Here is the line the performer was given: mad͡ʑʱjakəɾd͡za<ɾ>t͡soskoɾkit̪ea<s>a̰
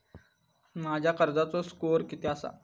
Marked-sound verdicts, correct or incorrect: incorrect: none, correct

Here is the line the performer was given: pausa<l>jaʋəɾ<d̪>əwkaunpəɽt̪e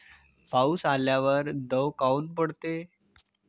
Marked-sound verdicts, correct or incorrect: correct, correct

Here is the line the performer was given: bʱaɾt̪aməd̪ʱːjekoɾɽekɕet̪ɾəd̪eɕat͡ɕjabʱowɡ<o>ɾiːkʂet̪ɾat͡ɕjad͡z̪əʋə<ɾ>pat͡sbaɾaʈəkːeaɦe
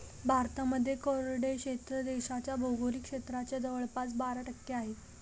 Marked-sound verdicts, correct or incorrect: correct, incorrect: ɭ

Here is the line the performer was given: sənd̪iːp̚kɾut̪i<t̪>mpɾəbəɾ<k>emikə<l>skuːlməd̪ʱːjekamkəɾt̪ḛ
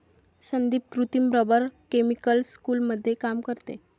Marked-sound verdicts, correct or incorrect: incorrect: none, correct, correct

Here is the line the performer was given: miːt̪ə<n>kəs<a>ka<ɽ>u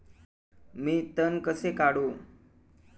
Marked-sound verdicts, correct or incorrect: correct, incorrect: e, correct

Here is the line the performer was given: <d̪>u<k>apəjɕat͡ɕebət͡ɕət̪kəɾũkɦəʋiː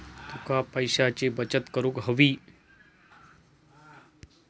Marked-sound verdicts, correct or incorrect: incorrect: t̪, correct

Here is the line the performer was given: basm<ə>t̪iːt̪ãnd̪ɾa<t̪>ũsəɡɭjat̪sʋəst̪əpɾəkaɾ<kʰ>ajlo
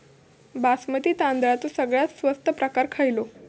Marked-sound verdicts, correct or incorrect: correct, correct, correct

